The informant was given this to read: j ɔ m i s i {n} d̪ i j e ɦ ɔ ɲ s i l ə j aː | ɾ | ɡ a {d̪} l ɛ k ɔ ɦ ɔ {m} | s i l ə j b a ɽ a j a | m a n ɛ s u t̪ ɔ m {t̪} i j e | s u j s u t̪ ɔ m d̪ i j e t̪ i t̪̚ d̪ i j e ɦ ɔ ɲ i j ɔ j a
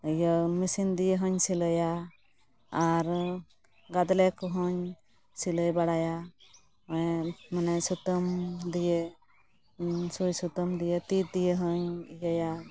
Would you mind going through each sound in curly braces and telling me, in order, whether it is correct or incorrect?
correct, correct, incorrect: ɲ, incorrect: d̪

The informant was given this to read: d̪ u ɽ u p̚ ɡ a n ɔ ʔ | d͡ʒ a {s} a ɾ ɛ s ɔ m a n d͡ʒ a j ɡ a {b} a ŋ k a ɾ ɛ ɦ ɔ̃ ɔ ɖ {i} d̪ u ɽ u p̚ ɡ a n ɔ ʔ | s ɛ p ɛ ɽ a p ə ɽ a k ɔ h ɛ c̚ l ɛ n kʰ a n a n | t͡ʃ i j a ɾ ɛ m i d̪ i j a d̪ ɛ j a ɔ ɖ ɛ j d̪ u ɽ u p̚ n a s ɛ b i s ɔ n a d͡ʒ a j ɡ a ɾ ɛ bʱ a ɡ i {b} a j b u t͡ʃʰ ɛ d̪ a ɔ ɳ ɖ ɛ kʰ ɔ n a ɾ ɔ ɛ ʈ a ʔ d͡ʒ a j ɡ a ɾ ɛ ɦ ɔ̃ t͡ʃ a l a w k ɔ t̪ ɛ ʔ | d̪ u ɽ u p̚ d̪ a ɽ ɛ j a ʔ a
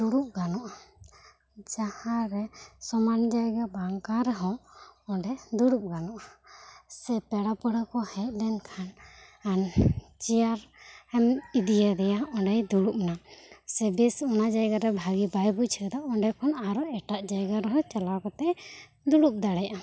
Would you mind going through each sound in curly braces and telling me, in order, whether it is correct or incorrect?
incorrect: h, correct, incorrect: ɛ, correct

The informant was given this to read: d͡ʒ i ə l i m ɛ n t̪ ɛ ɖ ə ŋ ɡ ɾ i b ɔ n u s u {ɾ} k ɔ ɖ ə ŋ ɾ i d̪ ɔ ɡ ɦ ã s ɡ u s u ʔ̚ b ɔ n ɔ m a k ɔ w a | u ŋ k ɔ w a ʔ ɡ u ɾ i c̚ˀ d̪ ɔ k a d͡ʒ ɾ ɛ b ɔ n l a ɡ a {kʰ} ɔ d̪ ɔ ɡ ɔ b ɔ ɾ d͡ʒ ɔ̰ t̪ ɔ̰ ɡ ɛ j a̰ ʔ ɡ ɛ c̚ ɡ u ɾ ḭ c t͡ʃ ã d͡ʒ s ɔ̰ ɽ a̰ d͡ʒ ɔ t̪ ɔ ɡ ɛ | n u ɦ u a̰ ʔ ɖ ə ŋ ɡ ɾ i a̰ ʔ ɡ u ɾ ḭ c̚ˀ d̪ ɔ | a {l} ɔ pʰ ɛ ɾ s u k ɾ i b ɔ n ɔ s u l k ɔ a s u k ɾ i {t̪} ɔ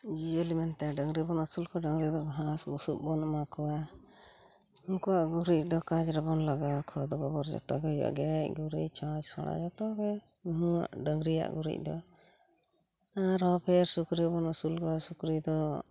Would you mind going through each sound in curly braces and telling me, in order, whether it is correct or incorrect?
incorrect: l, correct, incorrect: ɾ, incorrect: d̪

